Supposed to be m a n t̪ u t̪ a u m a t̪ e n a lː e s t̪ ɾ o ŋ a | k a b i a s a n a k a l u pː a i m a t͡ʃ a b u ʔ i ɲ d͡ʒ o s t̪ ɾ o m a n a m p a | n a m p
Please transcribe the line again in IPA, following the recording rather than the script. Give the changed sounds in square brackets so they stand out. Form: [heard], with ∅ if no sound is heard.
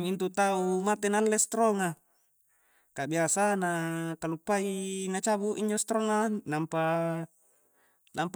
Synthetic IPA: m [i] n t̪ u t̪ a u m a t̪ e n a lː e s t̪ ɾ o ŋ a | k a b i a s a n a k a l u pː a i [n] a t͡ʃ a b u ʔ i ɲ d͡ʒ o s t̪ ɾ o [ŋ] a n a m p a | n a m p